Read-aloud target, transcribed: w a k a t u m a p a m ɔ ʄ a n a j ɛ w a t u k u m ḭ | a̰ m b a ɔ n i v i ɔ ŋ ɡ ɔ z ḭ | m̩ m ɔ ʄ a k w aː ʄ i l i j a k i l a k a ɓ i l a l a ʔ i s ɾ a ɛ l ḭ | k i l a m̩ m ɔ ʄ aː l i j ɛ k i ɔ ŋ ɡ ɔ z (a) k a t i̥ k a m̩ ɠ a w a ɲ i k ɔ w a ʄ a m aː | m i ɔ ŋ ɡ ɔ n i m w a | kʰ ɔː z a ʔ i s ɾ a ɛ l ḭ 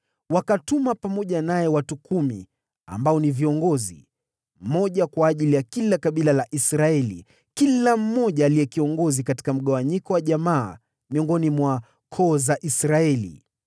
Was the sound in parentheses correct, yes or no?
no